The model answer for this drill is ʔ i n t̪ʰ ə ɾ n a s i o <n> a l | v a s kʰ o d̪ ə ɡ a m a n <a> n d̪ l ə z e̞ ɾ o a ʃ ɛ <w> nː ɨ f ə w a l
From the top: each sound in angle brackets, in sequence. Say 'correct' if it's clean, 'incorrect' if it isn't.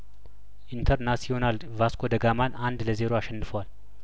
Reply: correct, correct, incorrect: none

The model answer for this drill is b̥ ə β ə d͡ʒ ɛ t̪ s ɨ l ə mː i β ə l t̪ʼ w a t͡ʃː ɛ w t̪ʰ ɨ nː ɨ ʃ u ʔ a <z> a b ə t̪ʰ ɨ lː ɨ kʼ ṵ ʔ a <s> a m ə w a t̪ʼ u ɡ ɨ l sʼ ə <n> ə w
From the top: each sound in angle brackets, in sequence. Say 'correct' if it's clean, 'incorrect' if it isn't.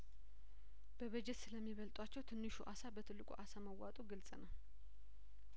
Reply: incorrect: s, correct, correct

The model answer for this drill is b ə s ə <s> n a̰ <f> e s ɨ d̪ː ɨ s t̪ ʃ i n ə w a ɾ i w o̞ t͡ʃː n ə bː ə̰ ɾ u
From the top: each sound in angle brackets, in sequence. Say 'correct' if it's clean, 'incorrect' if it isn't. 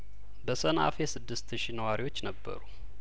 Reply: incorrect: none, correct

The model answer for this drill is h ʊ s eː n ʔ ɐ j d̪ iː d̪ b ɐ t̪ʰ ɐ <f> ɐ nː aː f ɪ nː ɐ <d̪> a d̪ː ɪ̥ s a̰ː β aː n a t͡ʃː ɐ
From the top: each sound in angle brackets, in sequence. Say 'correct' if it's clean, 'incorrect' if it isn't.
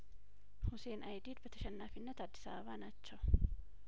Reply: incorrect: ʃ, incorrect: t̪

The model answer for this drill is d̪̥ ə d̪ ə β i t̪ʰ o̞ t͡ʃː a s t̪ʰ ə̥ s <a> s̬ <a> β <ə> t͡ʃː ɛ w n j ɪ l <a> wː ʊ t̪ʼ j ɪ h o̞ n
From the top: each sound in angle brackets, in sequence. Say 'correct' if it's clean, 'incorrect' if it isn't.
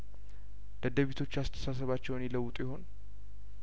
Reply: correct, incorrect: ə, incorrect: a, incorrect: ə

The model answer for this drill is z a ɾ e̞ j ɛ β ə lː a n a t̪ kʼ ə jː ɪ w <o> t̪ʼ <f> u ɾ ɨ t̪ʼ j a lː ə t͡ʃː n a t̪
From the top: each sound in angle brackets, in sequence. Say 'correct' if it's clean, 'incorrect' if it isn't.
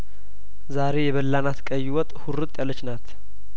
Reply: incorrect: ɔ, incorrect: h

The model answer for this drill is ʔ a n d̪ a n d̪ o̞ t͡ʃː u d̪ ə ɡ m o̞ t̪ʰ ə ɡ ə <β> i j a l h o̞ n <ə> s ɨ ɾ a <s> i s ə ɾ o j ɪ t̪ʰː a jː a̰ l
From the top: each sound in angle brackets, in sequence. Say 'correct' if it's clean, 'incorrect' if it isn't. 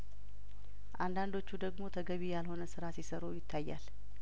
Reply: correct, correct, correct

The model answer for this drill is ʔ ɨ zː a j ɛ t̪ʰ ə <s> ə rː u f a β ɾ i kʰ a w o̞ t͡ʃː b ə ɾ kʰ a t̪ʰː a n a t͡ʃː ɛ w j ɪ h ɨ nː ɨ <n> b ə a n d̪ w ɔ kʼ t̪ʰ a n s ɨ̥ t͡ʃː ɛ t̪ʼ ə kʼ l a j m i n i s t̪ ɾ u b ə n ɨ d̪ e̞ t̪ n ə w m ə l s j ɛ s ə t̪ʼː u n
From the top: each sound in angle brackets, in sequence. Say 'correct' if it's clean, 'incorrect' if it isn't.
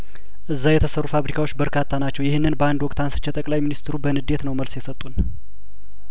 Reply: correct, correct

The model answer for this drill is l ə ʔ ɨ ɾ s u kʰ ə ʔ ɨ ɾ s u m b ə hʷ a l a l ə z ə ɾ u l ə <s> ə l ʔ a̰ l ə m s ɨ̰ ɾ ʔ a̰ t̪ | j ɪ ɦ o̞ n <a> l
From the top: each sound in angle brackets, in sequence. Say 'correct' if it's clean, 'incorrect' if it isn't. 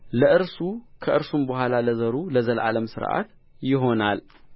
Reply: incorrect: z, correct

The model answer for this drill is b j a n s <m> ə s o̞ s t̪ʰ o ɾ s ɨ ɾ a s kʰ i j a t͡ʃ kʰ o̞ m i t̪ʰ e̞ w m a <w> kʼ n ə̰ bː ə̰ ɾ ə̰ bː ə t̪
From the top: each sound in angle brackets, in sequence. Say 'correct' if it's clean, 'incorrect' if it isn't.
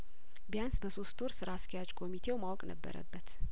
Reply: incorrect: b, correct

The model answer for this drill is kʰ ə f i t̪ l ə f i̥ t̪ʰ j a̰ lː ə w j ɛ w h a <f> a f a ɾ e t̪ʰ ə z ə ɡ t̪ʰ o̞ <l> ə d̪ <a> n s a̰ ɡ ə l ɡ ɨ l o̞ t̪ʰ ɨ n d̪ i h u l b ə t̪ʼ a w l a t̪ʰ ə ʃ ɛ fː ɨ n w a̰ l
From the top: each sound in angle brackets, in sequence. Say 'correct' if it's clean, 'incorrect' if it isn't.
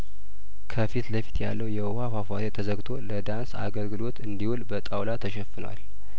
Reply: correct, correct, correct

